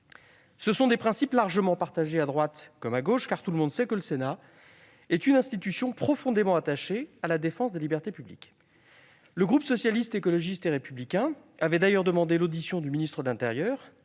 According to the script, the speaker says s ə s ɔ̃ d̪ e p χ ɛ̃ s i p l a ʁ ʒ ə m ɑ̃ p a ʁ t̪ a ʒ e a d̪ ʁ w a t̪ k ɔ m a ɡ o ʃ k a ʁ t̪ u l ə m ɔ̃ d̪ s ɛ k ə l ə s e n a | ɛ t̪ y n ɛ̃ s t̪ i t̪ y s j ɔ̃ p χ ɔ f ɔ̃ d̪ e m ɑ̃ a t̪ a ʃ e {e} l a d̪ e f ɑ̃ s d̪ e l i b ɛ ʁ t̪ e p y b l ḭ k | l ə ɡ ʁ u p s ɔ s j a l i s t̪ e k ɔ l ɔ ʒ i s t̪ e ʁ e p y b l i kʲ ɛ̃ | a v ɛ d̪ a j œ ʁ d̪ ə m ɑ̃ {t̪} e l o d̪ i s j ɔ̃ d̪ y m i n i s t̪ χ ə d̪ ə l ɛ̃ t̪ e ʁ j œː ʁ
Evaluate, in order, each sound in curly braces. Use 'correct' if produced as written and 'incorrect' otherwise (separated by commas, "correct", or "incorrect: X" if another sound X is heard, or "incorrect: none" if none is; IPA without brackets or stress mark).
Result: incorrect: a, incorrect: d̪